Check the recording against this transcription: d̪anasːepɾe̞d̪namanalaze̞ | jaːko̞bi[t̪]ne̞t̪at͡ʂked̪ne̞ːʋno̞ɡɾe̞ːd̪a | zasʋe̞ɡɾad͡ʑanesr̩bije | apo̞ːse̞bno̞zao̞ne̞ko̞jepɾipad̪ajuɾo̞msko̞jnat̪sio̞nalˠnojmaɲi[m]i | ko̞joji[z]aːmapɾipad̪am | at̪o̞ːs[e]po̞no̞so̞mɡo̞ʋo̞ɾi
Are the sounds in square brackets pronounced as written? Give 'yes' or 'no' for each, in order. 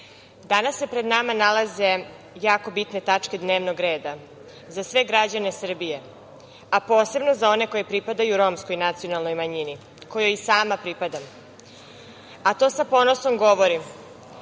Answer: yes, no, no, no

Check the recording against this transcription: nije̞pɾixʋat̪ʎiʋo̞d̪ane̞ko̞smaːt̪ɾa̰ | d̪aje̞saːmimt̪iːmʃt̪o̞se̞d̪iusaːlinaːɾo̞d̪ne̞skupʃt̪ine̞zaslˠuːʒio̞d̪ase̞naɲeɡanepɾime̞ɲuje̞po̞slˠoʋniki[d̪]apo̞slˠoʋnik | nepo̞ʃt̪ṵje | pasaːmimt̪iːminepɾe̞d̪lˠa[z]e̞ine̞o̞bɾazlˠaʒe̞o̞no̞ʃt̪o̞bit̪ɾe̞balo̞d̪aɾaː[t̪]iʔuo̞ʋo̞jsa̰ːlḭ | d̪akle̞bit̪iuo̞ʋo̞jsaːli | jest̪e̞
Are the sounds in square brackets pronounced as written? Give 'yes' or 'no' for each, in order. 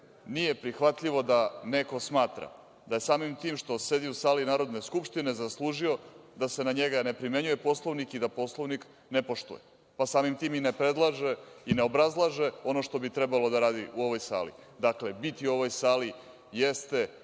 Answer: yes, no, no

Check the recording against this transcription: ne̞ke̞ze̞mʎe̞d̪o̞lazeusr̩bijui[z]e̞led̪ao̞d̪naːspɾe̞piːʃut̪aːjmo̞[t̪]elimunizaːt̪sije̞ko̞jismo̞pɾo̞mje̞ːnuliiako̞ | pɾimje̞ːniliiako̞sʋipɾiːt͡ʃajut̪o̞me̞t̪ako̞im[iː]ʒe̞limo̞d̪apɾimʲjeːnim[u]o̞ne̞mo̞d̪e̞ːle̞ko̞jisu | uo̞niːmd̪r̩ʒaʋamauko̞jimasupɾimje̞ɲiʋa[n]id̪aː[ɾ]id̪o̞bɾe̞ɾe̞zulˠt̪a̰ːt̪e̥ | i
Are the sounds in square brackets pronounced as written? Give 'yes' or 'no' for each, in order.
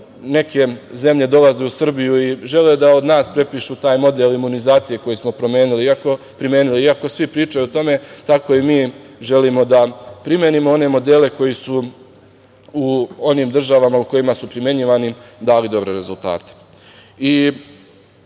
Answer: no, no, yes, no, yes, no

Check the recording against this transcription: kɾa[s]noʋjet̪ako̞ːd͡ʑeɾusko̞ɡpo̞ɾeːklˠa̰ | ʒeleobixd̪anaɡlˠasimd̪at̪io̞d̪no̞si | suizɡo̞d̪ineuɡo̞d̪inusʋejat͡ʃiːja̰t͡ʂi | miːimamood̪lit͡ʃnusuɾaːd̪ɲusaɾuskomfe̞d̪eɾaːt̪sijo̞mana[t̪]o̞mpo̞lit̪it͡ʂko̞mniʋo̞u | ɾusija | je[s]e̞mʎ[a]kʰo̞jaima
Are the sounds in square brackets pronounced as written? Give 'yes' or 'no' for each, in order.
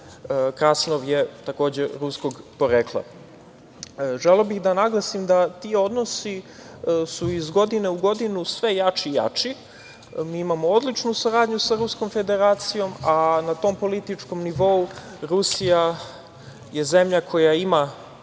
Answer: yes, yes, no, yes

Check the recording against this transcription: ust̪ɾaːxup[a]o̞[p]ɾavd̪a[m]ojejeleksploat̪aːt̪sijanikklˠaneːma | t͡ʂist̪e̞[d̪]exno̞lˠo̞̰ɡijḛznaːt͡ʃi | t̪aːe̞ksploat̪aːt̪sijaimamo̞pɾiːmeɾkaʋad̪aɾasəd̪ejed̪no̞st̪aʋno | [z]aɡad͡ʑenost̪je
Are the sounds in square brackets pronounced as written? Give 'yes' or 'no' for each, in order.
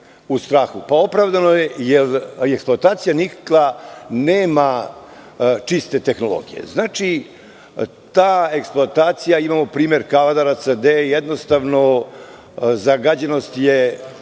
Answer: yes, yes, no, no, yes

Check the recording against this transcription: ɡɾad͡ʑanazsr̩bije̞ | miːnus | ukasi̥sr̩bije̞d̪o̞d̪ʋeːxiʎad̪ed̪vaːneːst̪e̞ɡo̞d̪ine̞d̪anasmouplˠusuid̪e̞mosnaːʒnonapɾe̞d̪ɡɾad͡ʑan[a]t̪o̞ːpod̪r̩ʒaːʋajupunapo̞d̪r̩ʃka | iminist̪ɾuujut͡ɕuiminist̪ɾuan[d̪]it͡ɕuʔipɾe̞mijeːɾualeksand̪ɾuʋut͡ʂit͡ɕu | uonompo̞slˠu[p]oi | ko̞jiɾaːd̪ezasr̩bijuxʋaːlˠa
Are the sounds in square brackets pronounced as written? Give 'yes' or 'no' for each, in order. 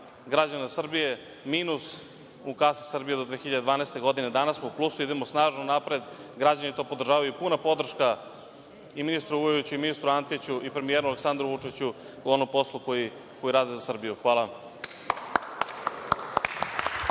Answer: no, no, no

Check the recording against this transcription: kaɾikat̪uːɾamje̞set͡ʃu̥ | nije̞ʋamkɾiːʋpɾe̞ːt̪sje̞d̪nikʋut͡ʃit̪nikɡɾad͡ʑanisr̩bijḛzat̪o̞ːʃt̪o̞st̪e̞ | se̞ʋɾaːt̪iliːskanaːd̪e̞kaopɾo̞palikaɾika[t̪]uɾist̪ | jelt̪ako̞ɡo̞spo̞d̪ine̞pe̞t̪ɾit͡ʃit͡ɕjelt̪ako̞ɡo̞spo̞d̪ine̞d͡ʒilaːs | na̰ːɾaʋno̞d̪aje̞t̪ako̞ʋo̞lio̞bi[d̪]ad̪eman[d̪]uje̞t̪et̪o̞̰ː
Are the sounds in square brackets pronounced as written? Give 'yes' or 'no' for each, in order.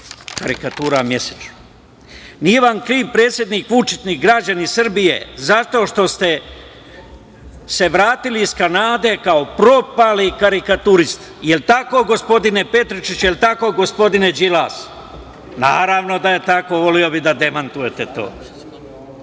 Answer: yes, yes, no

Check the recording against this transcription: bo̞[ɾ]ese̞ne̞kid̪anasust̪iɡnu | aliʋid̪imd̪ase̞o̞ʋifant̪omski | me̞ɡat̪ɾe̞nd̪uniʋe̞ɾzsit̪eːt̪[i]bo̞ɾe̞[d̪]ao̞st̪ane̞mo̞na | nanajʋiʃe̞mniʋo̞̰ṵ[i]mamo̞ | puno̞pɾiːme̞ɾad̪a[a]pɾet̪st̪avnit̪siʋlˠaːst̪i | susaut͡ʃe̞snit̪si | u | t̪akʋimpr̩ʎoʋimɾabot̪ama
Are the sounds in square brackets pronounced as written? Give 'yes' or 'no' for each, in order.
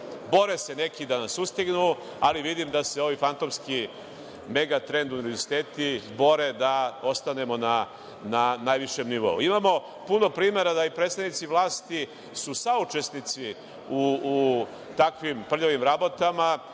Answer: yes, yes, yes, yes, no

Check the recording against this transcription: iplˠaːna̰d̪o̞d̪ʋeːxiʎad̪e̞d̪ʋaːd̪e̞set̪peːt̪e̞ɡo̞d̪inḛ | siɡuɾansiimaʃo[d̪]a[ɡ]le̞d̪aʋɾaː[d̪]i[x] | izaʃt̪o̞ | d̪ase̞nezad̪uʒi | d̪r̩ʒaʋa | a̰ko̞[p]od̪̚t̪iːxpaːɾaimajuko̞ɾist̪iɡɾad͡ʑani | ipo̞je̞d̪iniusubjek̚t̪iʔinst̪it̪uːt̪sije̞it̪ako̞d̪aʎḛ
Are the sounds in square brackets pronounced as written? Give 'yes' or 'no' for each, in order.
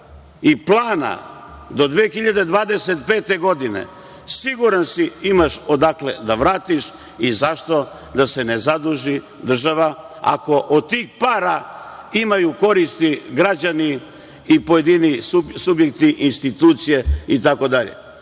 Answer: yes, no, no, no, no

